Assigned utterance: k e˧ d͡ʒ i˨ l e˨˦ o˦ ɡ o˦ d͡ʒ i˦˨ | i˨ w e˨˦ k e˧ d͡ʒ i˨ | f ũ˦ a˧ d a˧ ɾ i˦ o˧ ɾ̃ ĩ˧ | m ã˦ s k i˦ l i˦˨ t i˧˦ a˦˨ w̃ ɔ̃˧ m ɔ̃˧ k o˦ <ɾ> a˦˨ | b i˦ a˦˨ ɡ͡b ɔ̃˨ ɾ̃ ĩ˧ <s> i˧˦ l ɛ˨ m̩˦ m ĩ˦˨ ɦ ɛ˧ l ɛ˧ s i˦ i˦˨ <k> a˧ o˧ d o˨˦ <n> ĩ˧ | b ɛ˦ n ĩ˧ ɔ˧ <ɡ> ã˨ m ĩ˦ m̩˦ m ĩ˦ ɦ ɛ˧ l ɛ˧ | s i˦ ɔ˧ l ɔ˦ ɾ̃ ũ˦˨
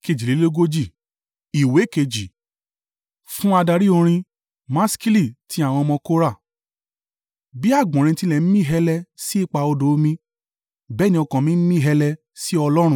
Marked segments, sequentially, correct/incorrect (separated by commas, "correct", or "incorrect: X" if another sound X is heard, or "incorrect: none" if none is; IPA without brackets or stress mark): correct, incorrect: t, incorrect: k͡p, incorrect: m, incorrect: k